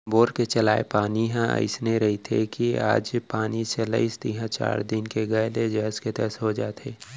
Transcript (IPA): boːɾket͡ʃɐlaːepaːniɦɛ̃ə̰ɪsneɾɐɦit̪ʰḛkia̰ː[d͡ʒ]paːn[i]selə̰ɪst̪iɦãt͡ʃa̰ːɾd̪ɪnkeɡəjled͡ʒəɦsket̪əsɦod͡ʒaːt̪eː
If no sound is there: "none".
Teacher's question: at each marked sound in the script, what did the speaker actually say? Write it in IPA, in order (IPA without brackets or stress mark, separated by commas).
d͡ʒ, i